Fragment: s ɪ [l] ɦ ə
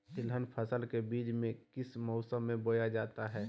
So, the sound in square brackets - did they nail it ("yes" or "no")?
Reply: yes